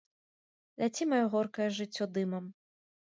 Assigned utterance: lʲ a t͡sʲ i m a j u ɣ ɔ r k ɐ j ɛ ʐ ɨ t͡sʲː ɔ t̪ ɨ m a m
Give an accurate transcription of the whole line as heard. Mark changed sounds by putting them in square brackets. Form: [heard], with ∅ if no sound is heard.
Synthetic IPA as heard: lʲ a t͡sʲ i m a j [ɔ] ɣ ɔ r k ɐ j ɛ ʐ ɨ t͡sʲː ɔ [d̪] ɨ m [ɐ] m